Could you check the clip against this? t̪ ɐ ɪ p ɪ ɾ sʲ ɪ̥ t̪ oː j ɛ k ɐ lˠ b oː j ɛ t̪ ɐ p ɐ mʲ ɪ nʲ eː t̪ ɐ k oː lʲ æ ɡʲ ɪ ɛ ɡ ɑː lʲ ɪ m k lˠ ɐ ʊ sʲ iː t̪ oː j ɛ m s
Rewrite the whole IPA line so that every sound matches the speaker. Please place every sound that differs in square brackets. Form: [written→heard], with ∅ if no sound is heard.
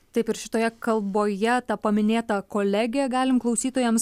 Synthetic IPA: t̪ ɐ ɪ p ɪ ɾ [sʲ→ʃʲ] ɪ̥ t̪ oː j ɛ k ɐ lˠ b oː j ɛ t̪ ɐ p ɐ mʲ ɪ nʲ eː t̪ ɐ k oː lʲ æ ɡʲ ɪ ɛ ɡ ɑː lʲ ɪ m k lˠ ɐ ʊ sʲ iː t̪ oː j ɛ m s